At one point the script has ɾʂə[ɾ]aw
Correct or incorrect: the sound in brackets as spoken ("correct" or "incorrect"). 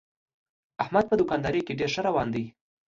correct